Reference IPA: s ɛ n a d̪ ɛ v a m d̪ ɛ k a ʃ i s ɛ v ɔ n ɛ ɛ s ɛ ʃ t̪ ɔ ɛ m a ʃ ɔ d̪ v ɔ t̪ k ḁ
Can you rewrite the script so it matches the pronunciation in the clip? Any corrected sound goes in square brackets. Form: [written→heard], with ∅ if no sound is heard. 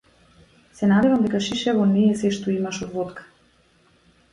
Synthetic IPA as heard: s ɛ n a d̪ ɛ v a m d̪ ɛ k a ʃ i [s→ʃ] ɛ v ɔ n ɛ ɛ s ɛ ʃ t̪ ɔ [ɛ→i] m a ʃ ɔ d̪ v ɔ t̪ k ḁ